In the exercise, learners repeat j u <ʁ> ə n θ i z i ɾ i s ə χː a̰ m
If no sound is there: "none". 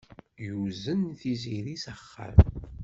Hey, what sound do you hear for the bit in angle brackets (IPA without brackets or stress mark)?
z